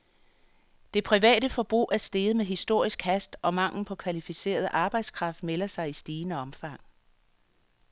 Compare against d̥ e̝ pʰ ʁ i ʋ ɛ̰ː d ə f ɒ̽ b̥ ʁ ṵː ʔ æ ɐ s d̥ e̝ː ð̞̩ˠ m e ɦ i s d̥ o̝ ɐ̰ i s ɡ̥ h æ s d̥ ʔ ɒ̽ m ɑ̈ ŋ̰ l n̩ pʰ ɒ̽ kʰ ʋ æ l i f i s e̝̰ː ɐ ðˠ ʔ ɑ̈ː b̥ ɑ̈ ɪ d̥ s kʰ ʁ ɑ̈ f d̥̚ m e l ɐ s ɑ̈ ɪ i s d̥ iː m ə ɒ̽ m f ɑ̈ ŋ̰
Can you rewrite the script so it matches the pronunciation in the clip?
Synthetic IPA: d̥ e̝ pʰ ʁ i ʋ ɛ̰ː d ə f ɒ̽ b̥ ʁ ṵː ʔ æ ɐ s d̥ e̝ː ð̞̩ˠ m e ɦ i s d̥ o̝ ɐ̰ i s ɡ̥ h æ s d̥ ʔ ɒ̽ m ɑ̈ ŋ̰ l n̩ pʰ ɒ̽ kʰ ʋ æ l i f i s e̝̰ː ɐ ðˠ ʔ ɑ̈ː b̥ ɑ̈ ɪ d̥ s kʰ ʁ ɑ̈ f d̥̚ m e l ɐ s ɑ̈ ɪ i s d̥ iː n ə ɒ̽ m f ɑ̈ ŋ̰